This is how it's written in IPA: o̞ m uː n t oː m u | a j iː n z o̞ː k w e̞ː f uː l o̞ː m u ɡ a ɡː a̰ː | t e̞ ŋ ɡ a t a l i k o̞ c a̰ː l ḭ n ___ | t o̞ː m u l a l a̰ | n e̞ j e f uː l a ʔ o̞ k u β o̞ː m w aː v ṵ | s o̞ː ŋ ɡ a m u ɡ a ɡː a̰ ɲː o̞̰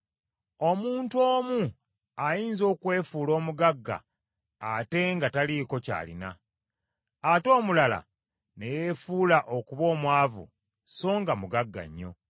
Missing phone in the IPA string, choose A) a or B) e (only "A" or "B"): A